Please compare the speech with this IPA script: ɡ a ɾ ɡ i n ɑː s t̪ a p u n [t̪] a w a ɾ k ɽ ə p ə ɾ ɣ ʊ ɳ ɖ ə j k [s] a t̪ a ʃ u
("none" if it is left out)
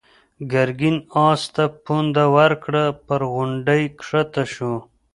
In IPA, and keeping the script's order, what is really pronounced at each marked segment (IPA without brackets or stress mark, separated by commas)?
d̪, ʂ